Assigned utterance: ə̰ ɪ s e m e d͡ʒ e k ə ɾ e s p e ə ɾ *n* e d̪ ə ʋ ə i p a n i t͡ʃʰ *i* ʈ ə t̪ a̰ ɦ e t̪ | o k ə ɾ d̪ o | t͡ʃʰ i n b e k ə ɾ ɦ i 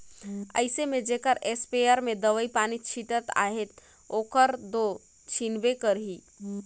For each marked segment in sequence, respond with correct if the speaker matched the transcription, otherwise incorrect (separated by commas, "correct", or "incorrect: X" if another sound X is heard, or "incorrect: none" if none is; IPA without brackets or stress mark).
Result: incorrect: m, correct